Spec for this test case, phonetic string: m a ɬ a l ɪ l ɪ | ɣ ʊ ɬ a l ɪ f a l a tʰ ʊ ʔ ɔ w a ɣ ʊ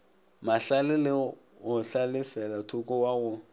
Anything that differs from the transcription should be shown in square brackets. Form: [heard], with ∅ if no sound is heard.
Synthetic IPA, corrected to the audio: m a ɬ a l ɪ l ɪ | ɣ ʊ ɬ a l ɪ f [ɛ] l a tʰ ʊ [k] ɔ w a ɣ ʊ

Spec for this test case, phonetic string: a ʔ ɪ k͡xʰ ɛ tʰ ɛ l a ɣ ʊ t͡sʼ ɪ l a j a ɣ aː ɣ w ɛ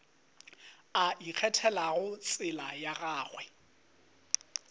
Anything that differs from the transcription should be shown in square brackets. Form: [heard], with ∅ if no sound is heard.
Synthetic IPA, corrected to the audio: a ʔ [i] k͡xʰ ɛ tʰ ɛ l a ɣ ʊ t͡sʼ ɪ l a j a ɣ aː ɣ w ɛ

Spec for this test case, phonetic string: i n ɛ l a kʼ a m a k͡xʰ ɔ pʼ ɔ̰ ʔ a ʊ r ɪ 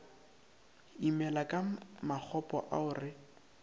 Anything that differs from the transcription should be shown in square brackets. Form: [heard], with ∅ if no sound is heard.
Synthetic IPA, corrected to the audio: i [m] ɛ l a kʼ a m a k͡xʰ ɔ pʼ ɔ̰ ʔ a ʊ r ɪ

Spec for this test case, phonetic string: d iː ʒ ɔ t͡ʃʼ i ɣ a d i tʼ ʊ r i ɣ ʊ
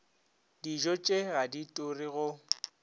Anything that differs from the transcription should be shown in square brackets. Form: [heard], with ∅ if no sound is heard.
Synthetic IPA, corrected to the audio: d [i] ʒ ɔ t͡ʃʼ [e] ɣ a d i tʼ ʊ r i ɣ ʊ

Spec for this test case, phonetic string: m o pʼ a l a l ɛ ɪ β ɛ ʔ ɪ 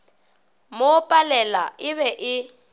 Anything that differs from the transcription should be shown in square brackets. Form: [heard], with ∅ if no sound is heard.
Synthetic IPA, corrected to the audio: m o pʼ a l [ɛ] l [a] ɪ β ɛ ʔ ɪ

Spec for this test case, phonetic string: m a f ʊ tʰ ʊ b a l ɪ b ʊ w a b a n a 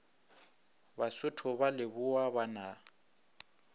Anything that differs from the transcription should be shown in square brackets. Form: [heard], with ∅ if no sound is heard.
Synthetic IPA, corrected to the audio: [b] a [s] ʊ tʰ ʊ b a l ɪ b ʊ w a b a n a

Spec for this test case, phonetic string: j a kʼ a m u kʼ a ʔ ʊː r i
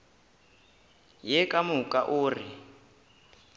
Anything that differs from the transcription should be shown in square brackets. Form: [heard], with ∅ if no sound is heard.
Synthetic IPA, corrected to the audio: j [ɛ] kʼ a m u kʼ a ʔ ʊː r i

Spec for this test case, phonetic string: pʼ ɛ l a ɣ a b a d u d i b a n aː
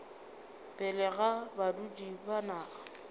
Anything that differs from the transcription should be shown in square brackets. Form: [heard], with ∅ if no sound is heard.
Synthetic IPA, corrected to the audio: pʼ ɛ l [ɛ] ɣ a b a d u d i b a n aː

